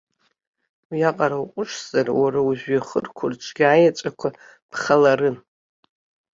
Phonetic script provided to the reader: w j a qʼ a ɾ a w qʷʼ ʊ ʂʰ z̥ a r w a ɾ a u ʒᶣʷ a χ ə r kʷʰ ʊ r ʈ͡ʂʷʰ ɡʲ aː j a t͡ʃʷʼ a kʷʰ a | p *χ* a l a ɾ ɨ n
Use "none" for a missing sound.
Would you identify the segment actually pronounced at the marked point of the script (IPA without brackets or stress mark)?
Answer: χ